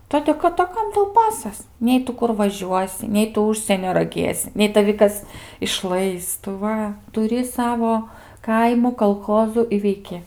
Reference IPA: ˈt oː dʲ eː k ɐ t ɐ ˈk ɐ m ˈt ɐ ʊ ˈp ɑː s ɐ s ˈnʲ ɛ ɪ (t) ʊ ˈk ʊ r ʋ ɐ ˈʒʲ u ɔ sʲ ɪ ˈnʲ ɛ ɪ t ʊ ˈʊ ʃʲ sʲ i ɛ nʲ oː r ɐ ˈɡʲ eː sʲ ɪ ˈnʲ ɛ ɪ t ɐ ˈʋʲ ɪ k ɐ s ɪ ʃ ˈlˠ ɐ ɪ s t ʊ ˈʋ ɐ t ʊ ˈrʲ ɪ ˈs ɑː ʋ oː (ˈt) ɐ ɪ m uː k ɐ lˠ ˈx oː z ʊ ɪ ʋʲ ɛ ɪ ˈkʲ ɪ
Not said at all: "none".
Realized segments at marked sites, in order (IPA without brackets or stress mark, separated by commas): t, k